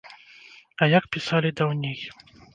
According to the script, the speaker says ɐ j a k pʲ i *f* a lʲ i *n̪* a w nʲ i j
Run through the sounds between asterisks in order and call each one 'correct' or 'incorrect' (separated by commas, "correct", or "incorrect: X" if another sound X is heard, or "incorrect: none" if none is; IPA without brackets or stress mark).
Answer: incorrect: s, incorrect: d̪